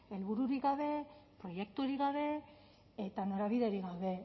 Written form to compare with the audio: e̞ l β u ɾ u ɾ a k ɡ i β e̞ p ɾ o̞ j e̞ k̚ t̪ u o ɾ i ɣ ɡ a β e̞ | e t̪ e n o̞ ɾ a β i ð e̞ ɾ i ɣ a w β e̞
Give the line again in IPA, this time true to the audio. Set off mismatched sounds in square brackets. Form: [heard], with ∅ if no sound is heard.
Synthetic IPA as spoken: e̞ l β u ɾ u ɾ [i] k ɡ [a] β e̞ p ɾ o̞ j e̞ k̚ t̪ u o ɾ i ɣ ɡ a β e̞ | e t̪ [a] n o̞ ɾ a β i ð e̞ ɾ i ɣ a w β e̞